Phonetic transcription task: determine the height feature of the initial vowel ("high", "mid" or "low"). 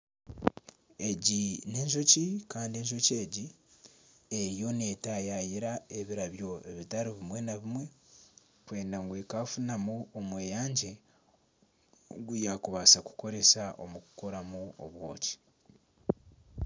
mid